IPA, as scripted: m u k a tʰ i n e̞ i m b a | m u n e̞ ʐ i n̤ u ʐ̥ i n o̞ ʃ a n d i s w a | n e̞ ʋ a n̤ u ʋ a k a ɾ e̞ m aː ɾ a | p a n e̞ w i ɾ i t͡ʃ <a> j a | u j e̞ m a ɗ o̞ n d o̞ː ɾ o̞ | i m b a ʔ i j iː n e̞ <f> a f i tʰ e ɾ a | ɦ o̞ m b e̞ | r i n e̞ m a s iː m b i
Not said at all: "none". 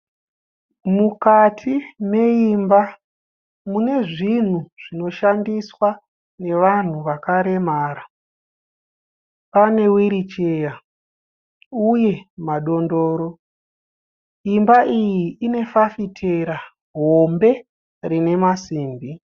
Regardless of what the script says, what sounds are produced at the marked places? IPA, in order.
e, f

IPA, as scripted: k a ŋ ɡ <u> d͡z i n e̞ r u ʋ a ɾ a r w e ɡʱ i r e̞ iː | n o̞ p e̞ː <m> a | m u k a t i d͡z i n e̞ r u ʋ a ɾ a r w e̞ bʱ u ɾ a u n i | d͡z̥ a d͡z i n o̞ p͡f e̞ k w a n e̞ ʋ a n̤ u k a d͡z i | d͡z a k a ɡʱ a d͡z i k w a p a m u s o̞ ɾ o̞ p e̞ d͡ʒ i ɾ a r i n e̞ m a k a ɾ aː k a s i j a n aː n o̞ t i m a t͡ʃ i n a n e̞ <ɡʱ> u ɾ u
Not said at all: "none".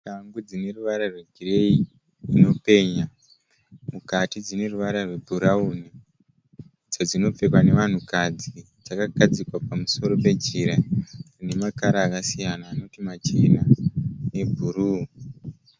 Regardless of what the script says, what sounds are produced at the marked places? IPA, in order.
u, ɲ, bʱ

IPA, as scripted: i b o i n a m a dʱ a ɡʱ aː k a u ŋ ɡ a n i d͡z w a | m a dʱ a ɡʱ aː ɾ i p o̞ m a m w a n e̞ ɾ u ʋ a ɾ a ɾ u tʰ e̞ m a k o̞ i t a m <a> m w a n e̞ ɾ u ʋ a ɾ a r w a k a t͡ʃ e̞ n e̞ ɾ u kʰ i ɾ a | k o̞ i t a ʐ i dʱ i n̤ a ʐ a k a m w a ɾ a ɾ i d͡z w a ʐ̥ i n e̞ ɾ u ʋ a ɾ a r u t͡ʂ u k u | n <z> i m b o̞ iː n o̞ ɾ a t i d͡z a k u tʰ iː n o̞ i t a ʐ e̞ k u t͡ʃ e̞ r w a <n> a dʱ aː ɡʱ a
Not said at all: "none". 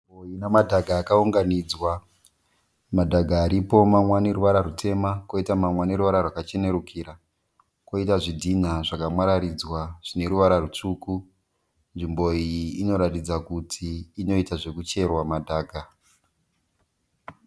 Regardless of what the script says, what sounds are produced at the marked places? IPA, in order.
a, ʐ, m

